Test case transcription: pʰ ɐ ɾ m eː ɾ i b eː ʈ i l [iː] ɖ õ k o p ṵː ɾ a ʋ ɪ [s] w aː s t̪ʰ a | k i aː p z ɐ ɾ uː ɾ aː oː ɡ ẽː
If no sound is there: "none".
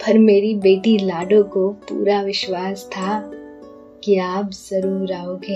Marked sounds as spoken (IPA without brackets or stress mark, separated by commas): aː, ʃ